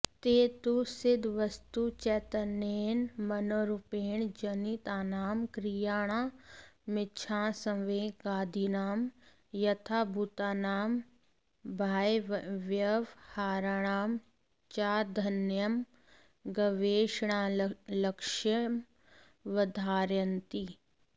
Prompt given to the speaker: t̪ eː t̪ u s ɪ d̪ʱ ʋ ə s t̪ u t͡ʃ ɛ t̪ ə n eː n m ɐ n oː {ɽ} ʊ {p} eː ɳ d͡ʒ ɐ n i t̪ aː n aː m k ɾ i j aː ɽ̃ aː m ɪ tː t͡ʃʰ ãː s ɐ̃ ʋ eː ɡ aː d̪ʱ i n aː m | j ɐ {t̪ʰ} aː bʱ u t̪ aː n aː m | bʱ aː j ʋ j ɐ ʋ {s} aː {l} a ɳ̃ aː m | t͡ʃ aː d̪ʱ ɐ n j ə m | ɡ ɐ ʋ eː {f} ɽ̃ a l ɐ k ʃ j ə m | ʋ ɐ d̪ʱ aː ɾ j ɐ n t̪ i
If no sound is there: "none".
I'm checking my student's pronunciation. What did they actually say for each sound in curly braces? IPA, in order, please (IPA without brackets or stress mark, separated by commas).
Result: ɾ, p, t̪ʰ, h, ɾ, ʃ